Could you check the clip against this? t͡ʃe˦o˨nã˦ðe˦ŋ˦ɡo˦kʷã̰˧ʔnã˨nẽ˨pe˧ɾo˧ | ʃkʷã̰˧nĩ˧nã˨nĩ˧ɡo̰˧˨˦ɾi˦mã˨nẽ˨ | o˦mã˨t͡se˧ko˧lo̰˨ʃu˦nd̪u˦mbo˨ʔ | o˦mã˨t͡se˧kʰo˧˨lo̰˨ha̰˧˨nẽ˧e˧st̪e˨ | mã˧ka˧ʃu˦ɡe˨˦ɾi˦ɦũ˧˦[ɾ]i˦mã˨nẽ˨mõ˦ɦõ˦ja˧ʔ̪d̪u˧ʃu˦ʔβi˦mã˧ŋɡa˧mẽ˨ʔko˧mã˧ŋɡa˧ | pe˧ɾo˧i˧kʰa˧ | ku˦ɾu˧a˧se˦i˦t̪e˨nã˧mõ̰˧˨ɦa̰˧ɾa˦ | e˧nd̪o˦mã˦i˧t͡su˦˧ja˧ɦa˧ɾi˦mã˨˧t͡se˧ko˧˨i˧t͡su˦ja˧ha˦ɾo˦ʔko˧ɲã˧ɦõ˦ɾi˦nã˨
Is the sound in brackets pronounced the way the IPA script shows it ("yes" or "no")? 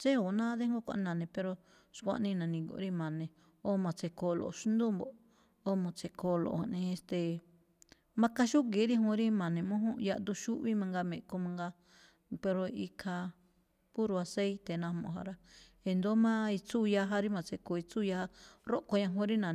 yes